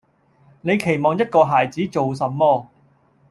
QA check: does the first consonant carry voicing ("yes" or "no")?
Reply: yes